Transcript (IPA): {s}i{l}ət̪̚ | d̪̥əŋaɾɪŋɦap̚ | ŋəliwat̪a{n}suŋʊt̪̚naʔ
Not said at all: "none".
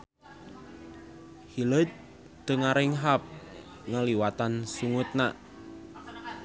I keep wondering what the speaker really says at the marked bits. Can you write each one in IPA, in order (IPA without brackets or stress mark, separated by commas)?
h, l, n